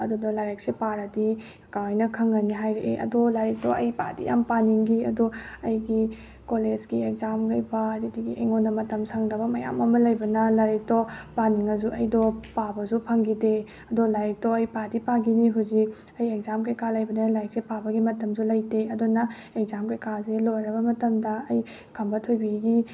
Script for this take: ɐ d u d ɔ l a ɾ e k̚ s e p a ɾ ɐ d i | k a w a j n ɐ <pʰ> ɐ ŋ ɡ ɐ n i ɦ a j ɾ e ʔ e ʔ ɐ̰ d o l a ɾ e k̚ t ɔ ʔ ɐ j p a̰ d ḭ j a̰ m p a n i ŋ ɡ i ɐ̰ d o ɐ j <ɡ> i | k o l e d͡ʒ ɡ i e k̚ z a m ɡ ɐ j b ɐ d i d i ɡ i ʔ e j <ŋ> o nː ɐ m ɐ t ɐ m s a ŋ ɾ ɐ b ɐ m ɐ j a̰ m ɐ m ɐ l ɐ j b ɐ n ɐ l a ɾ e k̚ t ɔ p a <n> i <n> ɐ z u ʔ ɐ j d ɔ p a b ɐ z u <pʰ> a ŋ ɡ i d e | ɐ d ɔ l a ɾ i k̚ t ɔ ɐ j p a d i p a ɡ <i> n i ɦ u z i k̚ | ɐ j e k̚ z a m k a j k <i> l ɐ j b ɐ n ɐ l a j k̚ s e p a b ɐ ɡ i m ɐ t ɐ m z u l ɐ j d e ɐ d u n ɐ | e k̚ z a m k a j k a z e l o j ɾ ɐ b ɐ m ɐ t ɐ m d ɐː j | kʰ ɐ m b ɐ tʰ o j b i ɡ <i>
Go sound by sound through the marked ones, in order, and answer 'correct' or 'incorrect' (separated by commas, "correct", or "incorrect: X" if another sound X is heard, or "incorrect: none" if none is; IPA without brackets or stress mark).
incorrect: kʰ, correct, correct, correct, incorrect: ŋ, correct, correct, incorrect: a, correct